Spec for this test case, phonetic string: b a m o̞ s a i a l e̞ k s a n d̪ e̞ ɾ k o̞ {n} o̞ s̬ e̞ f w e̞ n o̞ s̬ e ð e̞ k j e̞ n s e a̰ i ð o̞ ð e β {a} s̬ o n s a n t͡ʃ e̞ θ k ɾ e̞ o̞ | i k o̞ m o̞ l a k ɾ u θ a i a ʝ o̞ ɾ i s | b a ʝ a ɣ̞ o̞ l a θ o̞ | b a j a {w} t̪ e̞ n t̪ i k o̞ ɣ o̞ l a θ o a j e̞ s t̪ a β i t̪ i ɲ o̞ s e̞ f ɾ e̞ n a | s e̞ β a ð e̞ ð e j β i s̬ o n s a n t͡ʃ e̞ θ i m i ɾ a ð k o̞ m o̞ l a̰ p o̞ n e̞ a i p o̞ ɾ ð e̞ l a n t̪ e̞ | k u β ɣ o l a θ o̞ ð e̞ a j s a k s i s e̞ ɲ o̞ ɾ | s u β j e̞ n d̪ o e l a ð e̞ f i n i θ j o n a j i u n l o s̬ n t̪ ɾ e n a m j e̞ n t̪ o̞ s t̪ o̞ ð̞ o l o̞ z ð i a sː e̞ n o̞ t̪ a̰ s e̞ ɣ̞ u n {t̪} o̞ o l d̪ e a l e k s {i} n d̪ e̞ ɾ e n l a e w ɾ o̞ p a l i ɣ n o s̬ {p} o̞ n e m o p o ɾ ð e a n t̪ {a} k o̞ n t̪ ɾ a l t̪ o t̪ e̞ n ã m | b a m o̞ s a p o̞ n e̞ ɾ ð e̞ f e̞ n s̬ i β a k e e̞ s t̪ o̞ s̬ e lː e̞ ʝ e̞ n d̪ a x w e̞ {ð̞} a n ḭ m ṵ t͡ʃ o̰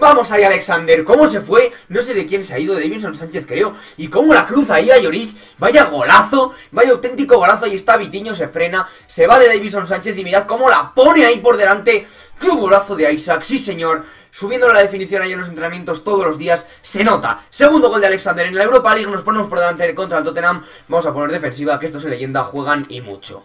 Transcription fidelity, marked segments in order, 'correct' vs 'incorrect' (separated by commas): incorrect, incorrect, correct, incorrect, incorrect, correct, incorrect, incorrect